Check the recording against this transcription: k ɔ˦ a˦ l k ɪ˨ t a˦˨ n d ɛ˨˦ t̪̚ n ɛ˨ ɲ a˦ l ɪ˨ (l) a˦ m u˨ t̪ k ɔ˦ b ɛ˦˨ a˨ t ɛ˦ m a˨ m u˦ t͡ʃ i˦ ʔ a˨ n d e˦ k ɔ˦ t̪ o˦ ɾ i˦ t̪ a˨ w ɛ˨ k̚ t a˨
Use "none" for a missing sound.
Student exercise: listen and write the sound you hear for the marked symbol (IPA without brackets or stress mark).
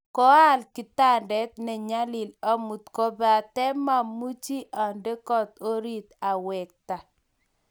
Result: l